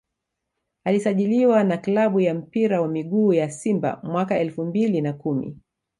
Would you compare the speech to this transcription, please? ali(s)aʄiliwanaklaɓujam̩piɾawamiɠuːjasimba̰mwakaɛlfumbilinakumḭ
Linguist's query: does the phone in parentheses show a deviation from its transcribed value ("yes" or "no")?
no